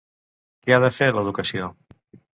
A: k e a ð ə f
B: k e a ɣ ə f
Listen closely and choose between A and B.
A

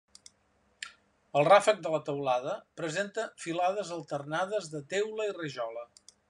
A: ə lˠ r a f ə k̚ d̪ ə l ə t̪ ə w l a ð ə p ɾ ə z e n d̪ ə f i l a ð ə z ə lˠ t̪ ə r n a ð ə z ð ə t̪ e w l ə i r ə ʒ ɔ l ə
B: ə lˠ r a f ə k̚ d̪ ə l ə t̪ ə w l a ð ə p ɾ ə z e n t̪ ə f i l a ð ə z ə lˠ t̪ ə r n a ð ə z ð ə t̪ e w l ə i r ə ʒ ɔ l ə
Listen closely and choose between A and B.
B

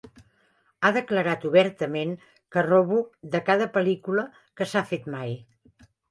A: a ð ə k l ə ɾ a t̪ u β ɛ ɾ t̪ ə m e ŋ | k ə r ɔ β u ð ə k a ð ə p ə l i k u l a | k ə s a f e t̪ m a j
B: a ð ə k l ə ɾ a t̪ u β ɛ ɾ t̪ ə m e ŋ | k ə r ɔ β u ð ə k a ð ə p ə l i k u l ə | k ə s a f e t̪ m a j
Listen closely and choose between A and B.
B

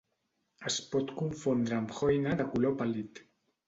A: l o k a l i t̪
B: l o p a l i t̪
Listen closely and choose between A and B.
B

